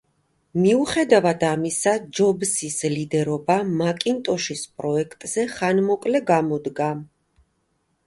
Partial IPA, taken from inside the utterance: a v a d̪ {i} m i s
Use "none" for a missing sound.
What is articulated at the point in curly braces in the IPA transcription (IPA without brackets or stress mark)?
a